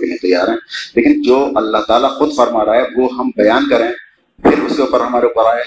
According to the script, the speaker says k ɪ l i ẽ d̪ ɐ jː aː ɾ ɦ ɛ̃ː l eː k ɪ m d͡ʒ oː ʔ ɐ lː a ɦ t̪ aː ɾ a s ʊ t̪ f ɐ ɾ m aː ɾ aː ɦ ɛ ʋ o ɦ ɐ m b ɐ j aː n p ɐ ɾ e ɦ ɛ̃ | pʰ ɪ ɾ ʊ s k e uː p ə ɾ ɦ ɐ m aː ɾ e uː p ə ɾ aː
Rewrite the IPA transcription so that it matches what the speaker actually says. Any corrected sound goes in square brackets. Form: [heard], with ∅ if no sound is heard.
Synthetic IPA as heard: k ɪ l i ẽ [t̪] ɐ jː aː ɾ ɦ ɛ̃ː l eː k ɪ [n] d͡ʒ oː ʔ ɐ lː a ɦ t̪ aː [l] a [x] ʊ [d̪] f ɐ ɾ m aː ɾ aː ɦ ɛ ʋ o ɦ ɐ m b ɐ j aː n [k] ɐ ɾ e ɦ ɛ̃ | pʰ ɪ ɾ ʊ s k e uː p ə ɾ ɦ ɐ m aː ɾ e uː p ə ɾ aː